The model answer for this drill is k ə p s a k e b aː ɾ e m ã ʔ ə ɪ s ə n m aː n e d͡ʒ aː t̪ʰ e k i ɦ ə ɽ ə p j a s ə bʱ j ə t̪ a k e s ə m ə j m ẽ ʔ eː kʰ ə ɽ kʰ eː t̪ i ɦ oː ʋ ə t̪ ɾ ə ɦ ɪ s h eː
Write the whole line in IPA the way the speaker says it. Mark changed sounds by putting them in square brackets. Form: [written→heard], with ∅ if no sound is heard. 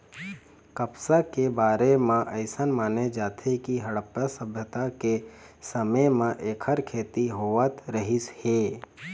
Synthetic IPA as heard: k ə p s a k e b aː ɾ e m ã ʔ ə ɪ s ə n m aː n e d͡ʒ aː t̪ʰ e k i ɦ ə ɽ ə p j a s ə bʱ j ə t̪ a k e s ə m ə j m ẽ ʔ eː kʰ ə [ɽ→ɾ] kʰ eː t̪ i ɦ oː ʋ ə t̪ ɾ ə ɦ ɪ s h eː